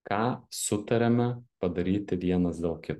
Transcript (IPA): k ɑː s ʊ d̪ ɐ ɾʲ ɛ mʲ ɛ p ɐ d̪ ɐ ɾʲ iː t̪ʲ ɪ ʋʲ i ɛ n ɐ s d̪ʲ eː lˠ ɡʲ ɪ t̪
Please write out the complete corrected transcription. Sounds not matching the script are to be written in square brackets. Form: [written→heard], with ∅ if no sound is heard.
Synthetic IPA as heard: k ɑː s ʊ [d̪→t̪] ɐ ɾʲ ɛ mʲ ɛ p ɐ d̪ ɐ ɾʲ iː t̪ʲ ɪ ʋʲ i ɛ n ɐ s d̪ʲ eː lˠ [ɡʲ→kʲ] ɪ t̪